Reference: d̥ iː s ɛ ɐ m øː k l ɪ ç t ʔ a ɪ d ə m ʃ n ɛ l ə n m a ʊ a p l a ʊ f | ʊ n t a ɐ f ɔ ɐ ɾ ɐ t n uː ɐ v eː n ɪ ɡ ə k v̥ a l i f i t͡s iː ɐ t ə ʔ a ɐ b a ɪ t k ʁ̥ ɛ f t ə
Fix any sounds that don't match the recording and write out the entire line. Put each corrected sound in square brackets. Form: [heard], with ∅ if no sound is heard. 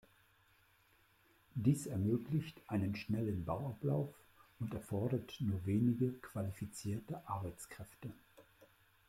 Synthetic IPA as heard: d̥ iː s ɛ ɐ m øː k l ɪ ç t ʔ a ɪ [n] ə [n] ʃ n ɛ l ə n [b] a ʊ a p l a ʊ f | ʊ n t [ɛ] ɐ f ɔ ɐ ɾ ɐ t n uː ɐ v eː n ɪ ɡ ə k v̥ a l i f i t͡s iː ɐ t ə ʔ a ɐ b a ɪ [t͡s] k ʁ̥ ɛ f t ə